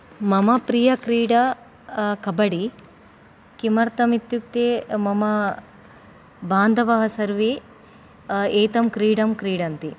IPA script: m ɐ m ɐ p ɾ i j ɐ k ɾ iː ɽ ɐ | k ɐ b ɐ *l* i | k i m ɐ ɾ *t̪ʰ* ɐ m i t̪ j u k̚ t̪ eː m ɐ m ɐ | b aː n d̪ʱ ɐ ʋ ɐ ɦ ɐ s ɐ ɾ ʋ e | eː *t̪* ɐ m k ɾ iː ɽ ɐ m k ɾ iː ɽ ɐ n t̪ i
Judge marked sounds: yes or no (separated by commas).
no, no, yes